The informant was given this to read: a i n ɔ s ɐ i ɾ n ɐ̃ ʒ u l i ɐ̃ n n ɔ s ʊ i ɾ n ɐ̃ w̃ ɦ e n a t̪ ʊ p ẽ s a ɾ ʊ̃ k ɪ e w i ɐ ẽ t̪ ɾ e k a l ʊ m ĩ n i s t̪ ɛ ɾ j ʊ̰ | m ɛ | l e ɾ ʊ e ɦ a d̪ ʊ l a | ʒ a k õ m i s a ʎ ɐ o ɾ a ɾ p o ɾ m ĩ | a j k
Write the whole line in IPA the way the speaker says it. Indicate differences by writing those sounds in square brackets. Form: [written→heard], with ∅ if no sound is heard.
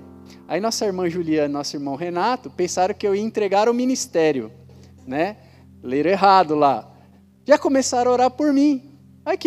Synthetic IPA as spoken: a i n ɔ s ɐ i ɾ [n→m] ɐ̃ ʒ u l i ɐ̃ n n ɔ s ʊ i ɾ [n→m] ɐ̃ w̃ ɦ e n a t̪ ʊ p ẽ s a ɾ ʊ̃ k ɪ e w i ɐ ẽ t̪ ɾ e [k→ɡ] a [l→ɾ] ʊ m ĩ n i s t̪ ɛ ɾ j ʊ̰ | [m→n] ɛ | l e ɾ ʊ e ɦ a d̪ ʊ l a | ʒ a k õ m [i→e] s a [ʎ→ɾ] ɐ o ɾ a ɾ p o ɾ m ĩ | a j k